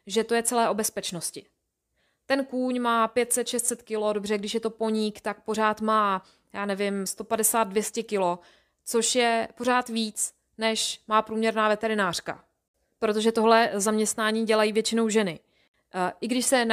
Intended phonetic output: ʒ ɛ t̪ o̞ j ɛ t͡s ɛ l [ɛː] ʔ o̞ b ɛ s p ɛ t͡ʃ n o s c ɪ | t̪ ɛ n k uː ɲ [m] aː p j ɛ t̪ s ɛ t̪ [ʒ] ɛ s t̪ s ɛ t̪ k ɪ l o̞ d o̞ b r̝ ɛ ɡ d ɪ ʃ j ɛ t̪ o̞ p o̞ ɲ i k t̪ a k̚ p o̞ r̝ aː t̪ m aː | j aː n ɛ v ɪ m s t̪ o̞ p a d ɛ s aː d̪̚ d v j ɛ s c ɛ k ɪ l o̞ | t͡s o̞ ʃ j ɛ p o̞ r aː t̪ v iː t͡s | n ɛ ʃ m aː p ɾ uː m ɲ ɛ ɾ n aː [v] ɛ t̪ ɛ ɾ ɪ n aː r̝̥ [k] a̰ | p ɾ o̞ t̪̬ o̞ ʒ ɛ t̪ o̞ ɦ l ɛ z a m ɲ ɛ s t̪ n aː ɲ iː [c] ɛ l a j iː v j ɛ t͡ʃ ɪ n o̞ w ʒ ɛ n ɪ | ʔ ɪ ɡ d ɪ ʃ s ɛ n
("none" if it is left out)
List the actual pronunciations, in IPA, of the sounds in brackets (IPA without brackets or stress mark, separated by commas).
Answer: ɛː, m, ʃ, v, k, ɟ